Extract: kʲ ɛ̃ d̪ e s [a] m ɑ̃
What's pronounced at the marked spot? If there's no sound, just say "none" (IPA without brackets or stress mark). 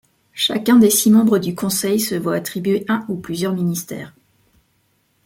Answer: i